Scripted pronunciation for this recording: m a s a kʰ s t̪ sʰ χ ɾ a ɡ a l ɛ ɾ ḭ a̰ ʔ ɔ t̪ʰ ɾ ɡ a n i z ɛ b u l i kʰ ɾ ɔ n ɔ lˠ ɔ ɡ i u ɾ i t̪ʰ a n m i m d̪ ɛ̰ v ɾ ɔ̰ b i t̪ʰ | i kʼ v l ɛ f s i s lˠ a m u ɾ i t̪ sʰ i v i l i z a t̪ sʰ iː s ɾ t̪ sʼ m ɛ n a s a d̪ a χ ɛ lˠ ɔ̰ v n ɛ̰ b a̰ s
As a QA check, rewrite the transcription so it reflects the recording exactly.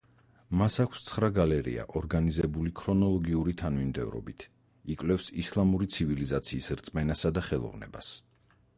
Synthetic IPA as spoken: m a s a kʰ s t̪ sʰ χ ɾ a ɡ a l ɛ ɾ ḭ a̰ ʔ ɔ ɾ ɡ a n i z ɛ b u l i kʰ ɾ ɔ n ɔ lˠ ɔ ɡ i u ɾ i t̪ʰ a n m i m d̪ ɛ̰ v ɾ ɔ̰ b i t̪ʰ | i kʼ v l ɛ f s i s lˠ a m u ɾ i t̪ sʰ i v i l i z a t̪ sʰ iː s ɾ t̪ sʼ m ɛ n a s a d̪ a χ ɛ lˠ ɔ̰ v n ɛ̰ b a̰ s